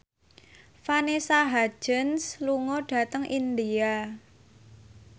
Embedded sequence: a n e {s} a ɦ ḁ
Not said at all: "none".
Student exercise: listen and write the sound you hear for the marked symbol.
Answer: s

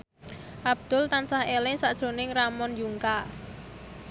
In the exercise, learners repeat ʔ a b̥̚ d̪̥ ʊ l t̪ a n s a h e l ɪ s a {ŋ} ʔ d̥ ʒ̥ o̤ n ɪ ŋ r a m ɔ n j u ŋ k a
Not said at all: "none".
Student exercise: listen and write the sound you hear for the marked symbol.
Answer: none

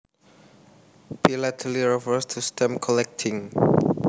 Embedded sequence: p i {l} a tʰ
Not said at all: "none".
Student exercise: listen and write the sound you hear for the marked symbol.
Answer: l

